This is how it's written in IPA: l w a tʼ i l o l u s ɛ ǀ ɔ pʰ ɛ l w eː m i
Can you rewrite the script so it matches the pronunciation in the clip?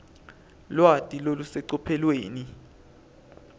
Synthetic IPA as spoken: l w a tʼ i l o l u s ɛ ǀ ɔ pʰ ɛ l w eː n i

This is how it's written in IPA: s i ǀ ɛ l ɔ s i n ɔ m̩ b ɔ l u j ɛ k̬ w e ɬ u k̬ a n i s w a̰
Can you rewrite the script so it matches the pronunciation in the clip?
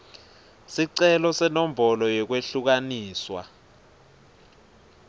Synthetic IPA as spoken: s i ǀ ɛ l ɔ s ɛ n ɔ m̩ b ɔ l ɔ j ɛ k̬ w e ɬ u k̬ a n iː s w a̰

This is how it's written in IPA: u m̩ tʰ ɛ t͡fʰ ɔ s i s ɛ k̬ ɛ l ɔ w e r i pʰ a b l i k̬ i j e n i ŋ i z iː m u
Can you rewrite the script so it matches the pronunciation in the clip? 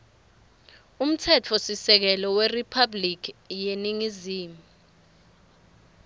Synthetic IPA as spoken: u m̩ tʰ ɛ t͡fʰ ɔ s i s ɛ k̬ ɛ l ɔ w e r i pʰ a b l i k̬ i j e n i ŋ i z iː m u

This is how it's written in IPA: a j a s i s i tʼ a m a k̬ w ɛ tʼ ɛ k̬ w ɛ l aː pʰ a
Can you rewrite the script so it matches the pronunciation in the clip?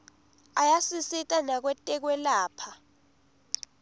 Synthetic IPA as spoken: a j a s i s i tʼ a n a k̬ w ɛ tʼ ɛ k̬ w ɛ l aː pʰ a

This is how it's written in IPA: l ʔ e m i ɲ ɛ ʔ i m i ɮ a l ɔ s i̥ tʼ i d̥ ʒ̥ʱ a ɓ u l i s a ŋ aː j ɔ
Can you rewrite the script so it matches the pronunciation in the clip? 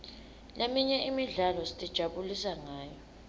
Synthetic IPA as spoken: l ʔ e m i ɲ ɛ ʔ i m i ɮ a l ɔ s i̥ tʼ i d̥ ʒ̥ʱ a ɓ u l i s a ŋ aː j ɔ

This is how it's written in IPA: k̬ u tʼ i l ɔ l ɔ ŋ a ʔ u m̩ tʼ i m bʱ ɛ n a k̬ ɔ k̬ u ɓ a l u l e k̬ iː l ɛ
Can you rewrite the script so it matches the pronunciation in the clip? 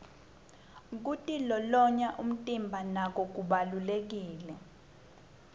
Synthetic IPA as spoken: k̬ u tʼ i l ɔ l ɔ ɲ a ʔ u m̩ tʼ i m bʱ a n a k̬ ɔ k̬ u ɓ a l u l e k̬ iː l ɛ

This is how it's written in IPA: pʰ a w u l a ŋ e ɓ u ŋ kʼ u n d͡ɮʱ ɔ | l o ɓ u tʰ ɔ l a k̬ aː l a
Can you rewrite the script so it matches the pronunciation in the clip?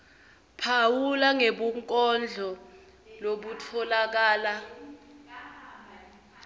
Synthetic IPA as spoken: pʰ a w u l a ŋ e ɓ u ŋ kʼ ɔ n d͡ɮʱ ɔ | l o ɓ u tʰ ɔ l a k̬ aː l a

